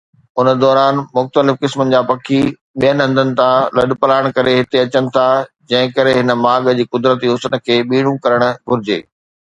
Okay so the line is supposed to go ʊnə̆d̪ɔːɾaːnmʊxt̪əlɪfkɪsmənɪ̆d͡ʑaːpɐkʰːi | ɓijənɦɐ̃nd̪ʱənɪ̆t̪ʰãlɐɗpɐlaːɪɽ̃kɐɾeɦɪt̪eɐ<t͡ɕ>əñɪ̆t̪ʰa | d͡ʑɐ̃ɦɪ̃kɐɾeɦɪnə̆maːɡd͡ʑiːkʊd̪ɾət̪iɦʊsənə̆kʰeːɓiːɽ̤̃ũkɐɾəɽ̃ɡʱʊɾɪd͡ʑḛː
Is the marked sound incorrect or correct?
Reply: correct